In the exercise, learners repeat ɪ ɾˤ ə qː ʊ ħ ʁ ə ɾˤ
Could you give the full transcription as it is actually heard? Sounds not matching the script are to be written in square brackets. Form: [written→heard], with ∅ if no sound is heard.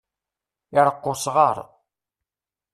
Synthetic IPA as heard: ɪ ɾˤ ə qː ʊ [ħ→s] ʁ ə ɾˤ

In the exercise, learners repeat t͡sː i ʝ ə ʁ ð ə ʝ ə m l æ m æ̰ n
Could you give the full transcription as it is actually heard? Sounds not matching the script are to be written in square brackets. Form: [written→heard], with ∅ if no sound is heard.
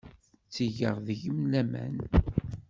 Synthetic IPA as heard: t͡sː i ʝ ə ʁ ð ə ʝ ə m l æ m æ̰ n

